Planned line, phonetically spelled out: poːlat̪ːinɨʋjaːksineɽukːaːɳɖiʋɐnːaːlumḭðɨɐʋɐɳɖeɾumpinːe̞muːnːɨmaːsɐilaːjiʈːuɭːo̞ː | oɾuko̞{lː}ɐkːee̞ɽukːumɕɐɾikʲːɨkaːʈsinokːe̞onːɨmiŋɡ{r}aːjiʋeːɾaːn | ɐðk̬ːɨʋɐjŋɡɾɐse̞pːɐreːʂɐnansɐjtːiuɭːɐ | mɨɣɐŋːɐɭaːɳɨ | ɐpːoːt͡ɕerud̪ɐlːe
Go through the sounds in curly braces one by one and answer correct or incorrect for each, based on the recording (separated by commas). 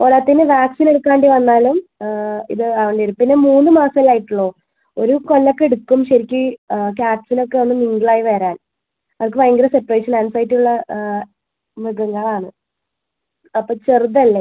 correct, incorrect